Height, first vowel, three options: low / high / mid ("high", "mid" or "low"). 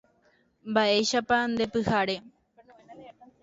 low